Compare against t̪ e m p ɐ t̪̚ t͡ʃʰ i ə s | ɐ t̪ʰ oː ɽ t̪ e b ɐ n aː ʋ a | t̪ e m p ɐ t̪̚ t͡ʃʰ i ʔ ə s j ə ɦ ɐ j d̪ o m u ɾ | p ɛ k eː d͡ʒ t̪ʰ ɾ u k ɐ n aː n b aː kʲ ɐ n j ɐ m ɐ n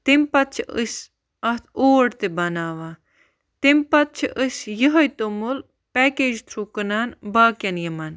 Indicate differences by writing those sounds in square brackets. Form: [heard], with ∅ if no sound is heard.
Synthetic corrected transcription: t̪ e m p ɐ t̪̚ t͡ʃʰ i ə s | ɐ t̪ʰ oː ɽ t̪ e b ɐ n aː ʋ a | t̪ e m p ɐ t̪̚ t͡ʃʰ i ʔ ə s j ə ɦ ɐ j [t̪] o m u [l] | p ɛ k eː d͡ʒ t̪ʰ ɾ u k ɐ n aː n b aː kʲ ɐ n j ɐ m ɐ n